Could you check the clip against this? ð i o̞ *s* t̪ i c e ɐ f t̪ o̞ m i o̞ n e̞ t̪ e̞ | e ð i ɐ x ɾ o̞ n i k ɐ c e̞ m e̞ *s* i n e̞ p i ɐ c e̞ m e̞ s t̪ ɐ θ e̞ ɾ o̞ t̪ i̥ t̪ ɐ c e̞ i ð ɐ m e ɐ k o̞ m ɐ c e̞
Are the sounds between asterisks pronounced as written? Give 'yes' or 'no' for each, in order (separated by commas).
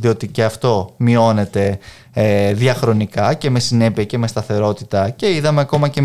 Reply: no, yes